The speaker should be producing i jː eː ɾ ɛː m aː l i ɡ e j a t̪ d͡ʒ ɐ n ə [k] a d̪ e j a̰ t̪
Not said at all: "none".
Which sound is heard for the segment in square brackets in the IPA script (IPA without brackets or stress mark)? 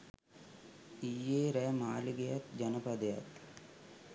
p